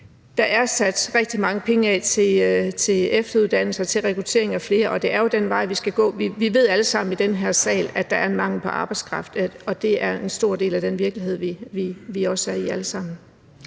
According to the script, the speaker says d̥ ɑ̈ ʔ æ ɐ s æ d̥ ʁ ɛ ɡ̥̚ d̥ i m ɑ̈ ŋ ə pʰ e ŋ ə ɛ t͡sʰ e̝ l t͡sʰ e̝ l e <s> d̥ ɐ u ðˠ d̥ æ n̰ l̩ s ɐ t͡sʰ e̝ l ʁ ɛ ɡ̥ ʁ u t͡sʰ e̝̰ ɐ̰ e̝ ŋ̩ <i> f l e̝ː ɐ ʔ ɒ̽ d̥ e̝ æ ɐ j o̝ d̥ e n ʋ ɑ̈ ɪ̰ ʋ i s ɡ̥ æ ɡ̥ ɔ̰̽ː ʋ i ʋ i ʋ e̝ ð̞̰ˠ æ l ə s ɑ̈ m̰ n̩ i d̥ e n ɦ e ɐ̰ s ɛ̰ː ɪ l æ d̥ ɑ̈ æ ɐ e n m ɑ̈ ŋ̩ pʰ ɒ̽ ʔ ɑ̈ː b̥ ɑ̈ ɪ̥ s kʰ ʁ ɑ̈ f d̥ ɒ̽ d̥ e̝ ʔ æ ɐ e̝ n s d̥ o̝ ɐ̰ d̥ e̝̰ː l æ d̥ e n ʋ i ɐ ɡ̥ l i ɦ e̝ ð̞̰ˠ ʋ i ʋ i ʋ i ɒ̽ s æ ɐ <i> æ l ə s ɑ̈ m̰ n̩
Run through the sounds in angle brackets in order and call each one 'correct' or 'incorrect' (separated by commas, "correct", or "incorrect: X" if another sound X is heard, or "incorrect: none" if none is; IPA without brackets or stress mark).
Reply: incorrect: f, incorrect: æ, correct